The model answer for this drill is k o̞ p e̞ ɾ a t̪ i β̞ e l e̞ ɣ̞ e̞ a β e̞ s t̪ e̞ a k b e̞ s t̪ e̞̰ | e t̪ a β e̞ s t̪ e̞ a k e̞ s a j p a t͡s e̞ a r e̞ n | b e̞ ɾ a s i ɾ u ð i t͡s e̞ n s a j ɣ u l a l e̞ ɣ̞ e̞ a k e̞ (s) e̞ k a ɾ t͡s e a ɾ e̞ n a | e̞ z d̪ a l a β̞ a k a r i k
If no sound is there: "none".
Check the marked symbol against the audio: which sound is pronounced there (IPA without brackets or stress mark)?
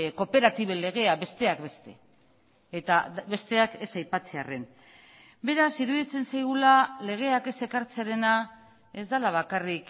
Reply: s